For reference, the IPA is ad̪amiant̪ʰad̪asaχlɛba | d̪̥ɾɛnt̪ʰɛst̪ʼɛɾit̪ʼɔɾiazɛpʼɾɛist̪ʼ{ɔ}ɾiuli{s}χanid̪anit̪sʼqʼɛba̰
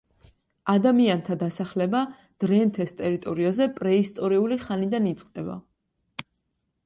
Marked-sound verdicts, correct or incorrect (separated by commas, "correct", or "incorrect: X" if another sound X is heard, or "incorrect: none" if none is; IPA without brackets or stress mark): correct, incorrect: none